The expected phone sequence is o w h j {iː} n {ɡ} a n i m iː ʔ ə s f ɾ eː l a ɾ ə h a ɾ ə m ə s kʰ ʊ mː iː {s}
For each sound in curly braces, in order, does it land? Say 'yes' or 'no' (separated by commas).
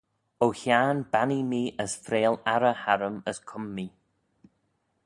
no, no, no